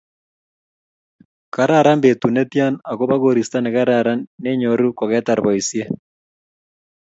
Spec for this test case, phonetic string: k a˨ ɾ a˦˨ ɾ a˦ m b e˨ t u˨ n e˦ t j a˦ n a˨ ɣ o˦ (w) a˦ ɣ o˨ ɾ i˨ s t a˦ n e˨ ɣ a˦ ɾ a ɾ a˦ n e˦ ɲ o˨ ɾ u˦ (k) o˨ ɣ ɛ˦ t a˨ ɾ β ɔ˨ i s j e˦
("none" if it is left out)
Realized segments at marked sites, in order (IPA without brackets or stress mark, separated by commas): β, k